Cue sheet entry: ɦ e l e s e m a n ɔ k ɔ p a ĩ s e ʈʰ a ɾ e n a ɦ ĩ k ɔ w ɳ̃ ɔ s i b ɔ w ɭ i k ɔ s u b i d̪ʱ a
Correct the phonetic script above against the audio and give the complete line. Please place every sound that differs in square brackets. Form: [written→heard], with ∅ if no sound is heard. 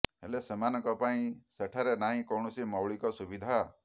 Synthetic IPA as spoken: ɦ e l e s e m a n ɔ k ɔ p a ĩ s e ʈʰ a ɾ e n a ɦ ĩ k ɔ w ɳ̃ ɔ s i [b→m] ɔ w ɭ i k ɔ s u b i d̪ʱ a